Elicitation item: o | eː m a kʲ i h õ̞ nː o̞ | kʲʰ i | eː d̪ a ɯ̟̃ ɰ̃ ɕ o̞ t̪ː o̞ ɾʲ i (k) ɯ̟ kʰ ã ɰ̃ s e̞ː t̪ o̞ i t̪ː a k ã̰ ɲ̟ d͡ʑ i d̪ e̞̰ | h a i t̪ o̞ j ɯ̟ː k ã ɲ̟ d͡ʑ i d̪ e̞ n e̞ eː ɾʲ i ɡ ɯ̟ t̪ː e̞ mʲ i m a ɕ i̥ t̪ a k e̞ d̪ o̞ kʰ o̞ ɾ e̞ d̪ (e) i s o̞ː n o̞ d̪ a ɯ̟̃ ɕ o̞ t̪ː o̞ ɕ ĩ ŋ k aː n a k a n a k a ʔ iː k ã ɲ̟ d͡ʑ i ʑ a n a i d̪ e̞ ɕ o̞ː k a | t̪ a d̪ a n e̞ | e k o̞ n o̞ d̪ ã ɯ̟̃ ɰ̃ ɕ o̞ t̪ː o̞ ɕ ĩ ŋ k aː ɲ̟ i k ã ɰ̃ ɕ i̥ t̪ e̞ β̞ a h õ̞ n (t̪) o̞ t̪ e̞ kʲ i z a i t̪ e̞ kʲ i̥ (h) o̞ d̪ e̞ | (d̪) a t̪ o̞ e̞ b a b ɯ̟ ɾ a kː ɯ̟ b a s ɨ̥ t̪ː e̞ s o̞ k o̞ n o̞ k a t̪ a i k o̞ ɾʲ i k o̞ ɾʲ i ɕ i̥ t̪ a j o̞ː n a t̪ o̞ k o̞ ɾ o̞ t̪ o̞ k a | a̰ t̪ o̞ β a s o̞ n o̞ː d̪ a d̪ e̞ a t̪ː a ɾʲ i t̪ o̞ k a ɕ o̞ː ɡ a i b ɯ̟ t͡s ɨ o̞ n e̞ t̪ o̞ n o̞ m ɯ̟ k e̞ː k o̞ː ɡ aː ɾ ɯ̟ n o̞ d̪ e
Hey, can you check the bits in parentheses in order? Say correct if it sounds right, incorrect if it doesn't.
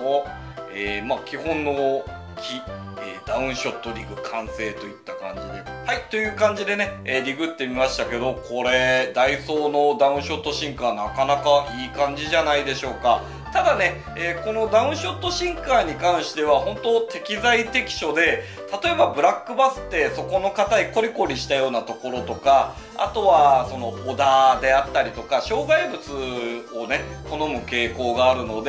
incorrect: ɡ, incorrect: a, correct, incorrect: ɕ, incorrect: t̪

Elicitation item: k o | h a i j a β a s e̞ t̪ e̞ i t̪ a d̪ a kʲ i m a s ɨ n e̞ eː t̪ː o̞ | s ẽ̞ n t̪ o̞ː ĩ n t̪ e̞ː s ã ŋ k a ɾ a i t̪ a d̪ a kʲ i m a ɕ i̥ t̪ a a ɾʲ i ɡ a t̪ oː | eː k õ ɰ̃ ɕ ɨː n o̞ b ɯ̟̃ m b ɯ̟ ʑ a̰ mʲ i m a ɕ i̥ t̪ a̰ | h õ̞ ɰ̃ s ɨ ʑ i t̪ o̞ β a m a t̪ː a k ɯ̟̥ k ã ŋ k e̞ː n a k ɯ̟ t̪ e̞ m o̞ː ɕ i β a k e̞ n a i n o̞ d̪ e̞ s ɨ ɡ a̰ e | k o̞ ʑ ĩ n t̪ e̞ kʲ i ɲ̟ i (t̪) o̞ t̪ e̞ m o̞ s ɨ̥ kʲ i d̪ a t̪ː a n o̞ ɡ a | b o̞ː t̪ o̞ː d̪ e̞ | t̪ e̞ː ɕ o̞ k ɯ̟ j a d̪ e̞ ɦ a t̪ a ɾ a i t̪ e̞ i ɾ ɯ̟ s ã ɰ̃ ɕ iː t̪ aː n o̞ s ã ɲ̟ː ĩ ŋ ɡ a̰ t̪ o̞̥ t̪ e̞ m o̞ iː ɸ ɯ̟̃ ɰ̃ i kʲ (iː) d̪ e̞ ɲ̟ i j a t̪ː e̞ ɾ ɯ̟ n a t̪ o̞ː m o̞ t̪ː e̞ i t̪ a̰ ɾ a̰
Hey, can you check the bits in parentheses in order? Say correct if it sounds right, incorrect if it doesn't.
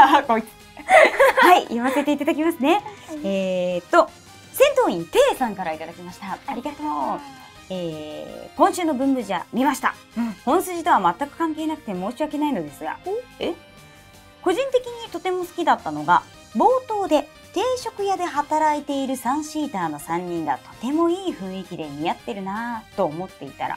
correct, incorrect: i

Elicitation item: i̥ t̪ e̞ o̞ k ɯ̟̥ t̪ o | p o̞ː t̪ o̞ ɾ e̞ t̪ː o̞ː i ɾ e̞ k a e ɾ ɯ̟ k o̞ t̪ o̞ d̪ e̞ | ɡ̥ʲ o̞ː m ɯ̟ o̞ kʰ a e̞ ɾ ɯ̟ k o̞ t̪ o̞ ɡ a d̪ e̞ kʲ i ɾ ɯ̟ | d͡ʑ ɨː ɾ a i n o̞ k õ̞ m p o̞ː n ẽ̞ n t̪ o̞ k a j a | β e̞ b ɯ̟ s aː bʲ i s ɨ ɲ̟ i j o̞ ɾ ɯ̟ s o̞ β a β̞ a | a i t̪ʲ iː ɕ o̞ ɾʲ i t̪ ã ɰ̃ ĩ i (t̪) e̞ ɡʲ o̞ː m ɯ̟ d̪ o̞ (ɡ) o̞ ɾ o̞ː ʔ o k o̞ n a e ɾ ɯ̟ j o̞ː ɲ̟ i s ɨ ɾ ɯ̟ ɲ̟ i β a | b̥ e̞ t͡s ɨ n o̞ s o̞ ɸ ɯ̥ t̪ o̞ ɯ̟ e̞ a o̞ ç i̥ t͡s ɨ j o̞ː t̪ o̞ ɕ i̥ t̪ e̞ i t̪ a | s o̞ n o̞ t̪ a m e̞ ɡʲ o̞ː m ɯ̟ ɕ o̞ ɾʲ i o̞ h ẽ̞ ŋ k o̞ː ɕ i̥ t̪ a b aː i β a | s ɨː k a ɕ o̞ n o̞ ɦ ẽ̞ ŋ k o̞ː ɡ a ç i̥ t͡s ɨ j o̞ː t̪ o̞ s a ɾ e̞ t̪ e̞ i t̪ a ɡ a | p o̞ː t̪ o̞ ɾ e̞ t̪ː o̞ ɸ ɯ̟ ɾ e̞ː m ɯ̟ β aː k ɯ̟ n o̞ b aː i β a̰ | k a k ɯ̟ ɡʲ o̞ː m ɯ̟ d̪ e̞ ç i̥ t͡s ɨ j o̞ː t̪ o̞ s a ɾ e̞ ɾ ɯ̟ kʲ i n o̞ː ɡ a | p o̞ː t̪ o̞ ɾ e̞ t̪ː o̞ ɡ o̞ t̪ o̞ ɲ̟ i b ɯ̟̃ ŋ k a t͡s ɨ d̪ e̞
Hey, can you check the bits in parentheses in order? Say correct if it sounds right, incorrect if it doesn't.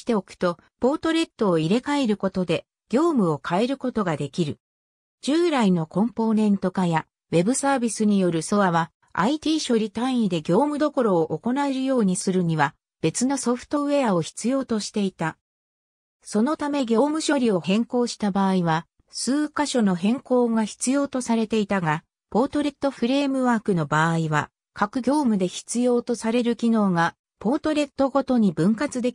incorrect: d̪, incorrect: k

